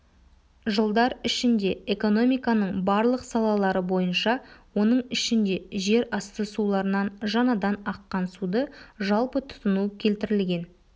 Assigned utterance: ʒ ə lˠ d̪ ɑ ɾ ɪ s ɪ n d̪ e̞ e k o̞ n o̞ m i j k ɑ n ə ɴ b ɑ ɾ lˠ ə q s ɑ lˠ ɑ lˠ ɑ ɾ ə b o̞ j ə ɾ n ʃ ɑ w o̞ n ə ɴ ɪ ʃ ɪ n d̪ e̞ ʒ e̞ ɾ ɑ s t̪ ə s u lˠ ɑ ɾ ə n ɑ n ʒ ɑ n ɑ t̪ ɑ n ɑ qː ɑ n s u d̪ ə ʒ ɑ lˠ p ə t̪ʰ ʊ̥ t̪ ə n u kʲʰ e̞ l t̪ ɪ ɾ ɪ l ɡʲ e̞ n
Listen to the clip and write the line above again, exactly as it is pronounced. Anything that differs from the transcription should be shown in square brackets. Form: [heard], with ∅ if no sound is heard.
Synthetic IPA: ʒ ə lˠ d̪ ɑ ɾ ɪ [ʃ] ɪ n d̪ e̞ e k o̞ n o̞ m i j k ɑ n ə ɴ b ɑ ɾ lˠ ə q s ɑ lˠ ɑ lˠ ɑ ɾ ə b o̞ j ə [∅] n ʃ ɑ w o̞ n ə ɴ ɪ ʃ ɪ n d̪ e̞ ʒ e̞ ɾ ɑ s t̪ ə s u lˠ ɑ ɾ ə n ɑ n ʒ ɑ n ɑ [d̪] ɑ n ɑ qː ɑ n s u d̪ ə ʒ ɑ lˠ p ə t̪ʰ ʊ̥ t̪ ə n u kʲʰ e̞ l t̪ ɪ ɾ ɪ l ɡʲ e̞ n